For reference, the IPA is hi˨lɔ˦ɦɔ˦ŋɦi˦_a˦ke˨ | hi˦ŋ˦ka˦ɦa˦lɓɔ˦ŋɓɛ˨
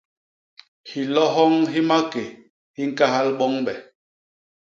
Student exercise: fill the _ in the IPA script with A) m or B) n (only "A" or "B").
A